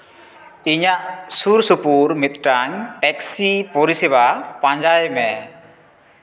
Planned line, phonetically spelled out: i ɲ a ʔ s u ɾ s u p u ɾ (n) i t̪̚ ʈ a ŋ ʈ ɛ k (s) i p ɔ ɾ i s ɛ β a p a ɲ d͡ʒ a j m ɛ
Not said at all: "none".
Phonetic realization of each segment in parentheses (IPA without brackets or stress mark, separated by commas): m, s